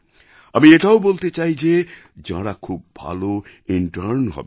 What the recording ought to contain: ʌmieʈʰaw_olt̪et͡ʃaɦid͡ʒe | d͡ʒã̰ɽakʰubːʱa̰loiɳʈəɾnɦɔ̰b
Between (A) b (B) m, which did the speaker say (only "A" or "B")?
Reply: A